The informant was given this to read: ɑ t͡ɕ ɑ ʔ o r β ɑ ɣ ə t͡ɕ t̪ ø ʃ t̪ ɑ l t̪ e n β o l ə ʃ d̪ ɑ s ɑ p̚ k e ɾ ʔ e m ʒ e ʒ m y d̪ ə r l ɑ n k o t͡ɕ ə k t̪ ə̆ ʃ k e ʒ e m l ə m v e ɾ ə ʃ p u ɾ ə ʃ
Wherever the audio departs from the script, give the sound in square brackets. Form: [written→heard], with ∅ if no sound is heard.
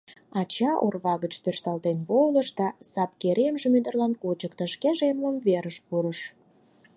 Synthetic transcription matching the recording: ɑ t͡ɕ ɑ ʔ o r β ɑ ɣ ə t͡ɕ t̪ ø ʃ t̪ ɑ l t̪ e n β o l ə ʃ d̪ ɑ s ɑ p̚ k e ɾ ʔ e m ʒ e [ʒ→∅] m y d̪ ə r l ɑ n k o t͡ɕ ə k t̪ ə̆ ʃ k e ʒ e m l ə m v e ɾ ə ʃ p u ɾ ə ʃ